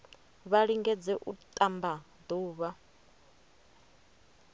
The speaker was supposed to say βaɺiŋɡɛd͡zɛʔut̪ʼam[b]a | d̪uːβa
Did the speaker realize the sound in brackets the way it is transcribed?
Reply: yes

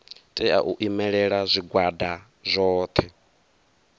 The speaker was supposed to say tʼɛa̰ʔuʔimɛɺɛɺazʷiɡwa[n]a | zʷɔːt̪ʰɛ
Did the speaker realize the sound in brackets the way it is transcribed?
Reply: no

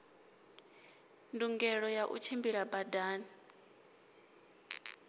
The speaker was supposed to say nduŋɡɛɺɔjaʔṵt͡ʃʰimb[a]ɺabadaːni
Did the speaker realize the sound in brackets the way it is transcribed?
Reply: no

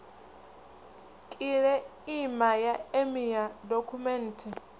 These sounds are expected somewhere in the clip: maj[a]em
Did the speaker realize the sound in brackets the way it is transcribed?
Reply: yes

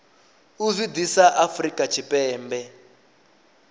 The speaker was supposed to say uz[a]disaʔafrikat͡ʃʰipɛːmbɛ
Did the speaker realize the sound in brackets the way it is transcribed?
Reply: no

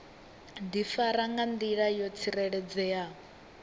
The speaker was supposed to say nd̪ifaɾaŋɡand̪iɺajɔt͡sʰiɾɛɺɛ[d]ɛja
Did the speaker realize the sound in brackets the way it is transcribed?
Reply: no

